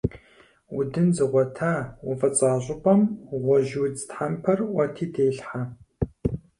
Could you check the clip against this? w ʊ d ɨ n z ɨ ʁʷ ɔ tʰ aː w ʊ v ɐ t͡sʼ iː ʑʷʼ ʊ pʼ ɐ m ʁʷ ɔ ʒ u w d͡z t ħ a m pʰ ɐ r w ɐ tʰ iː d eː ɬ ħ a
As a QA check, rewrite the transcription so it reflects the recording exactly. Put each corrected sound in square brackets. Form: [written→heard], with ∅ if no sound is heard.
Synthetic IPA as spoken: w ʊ d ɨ n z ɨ ʁʷ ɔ tʰ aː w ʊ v ɐ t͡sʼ [iː→aː] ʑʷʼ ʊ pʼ ɐ m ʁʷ ɔ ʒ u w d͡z t ħ a m pʰ ɐ r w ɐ tʰ iː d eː ɬ ħ a